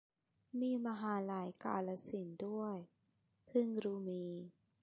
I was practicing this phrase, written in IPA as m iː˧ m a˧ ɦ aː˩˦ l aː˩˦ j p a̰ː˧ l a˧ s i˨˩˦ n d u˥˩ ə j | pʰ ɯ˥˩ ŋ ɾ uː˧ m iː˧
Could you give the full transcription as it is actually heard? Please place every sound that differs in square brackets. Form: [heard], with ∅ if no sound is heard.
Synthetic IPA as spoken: m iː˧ m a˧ ɦ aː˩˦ l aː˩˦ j [k] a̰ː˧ l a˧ s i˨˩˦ n d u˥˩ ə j | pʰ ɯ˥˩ ŋ ɾ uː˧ m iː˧